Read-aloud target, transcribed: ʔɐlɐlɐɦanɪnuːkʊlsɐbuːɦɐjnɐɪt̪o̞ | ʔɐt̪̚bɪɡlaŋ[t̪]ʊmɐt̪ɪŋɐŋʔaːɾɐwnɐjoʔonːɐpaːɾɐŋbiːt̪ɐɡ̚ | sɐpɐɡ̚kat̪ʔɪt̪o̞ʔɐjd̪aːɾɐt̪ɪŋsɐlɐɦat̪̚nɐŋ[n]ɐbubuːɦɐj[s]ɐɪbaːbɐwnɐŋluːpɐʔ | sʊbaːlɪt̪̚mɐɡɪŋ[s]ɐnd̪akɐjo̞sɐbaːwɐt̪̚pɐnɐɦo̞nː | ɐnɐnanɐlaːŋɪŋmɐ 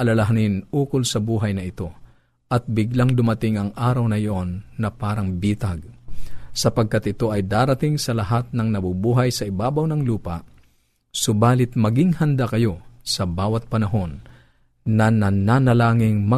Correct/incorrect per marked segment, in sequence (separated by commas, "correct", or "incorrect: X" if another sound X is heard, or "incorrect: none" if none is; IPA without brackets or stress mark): incorrect: d̪, correct, correct, incorrect: h